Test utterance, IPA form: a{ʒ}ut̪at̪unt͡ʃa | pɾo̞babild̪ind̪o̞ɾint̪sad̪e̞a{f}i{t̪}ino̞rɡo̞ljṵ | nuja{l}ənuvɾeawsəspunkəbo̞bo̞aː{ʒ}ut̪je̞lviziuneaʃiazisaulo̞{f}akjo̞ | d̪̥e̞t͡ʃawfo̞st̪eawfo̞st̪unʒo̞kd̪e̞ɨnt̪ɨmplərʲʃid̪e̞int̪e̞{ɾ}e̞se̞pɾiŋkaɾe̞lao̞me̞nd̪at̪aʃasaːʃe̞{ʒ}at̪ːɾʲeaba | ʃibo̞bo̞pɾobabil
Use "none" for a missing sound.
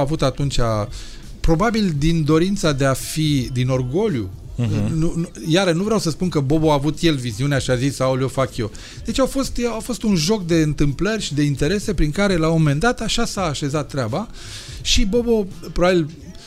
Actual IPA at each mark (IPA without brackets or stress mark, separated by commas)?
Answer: v, f, d̪, ɾ, v, f, ɾ, z